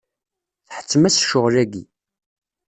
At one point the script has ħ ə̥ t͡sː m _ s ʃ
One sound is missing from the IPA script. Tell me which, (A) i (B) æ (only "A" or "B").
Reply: B